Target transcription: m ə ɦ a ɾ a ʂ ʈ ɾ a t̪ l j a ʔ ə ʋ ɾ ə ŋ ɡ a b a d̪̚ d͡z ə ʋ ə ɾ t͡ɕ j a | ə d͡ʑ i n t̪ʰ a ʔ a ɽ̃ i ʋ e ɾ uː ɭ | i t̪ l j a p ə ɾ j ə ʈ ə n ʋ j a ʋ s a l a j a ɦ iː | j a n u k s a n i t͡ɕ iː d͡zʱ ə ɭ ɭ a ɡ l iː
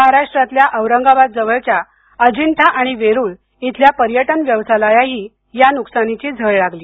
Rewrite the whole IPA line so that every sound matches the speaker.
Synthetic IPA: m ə ɦ a ɾ a ʂ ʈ ɾ a t̪ l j a ʔ ə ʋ ɾ ə ŋ ɡ a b a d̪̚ d͡z ə ʋ ə ɭ t͡ɕ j a | ə d͡ʑ i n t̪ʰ a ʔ a ɽ̃ i ʋ e ɾ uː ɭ | i t̪ l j a p ə ɾ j ə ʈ ə n ʋ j ə ʋ s a l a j a ɦ iː | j a n u k s a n i t͡ɕ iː d͡zʱ ə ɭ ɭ a ɡ l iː

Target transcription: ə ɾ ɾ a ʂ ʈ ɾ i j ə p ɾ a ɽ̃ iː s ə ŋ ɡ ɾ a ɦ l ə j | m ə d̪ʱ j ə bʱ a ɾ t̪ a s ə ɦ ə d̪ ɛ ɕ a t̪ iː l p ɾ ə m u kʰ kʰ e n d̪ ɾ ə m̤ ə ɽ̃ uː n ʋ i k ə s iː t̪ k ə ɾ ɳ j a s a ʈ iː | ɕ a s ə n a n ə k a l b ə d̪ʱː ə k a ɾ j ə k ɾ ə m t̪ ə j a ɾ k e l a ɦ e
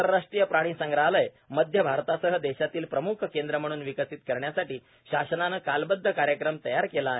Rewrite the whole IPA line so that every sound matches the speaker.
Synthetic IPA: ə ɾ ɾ a ʂ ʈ ɾ i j ə p ɾ a ɽ̃ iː s ə ŋ ɡ ɾ a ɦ l ə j | m ə d̪ʱ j ə bʱ a ɾ t̪ a s ə ɦ ə d̪ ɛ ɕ a t̪ iː l p ɾ ə m u kʰ k e n d̪ ɾ ə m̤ ə ɽ̃ uː n ʋ i k ə s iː t̪ k ə ɾ ɳ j a s a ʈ iː | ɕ a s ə n a n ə k a l b ə d̪ʱː ə k a ɾ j ə k ɾ ə m t̪ ə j a ɾ k e l a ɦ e

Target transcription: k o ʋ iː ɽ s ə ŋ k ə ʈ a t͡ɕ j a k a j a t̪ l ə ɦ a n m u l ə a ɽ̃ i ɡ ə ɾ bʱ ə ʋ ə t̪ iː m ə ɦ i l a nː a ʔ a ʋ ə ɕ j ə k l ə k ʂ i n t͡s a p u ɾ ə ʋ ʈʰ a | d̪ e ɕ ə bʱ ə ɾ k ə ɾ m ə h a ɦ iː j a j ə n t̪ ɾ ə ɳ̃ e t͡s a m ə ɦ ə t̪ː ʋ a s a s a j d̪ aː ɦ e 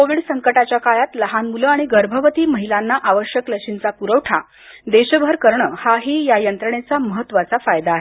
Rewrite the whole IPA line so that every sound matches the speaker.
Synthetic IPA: k o ʋ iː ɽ s ə ŋ k ə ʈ a t͡ɕ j a k a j a t̪ l ə ɦ a n m u l ə a ɽ̃ i ɡ ə ɾ bʱ ə ʋ ə t̪ iː m ə ɦ i l a nː a ʔ a ʋ ə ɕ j ə k l ə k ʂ i n t͡s a p u ɾ ə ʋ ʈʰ a | d̪ e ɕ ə bʱ ə ɾ k ə ɾ ɳ ə h a ɦ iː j a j ə n t̪ ɾ ə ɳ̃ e t͡s a m ə ɦ ə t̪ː ʋ a t͡s a f a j d̪ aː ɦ e

